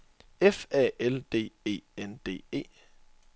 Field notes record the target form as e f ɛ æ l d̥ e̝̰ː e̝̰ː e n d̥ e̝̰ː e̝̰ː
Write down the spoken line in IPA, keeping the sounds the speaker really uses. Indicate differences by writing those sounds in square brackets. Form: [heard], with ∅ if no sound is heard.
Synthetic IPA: e f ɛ [e] l d̥ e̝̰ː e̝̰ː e n d̥ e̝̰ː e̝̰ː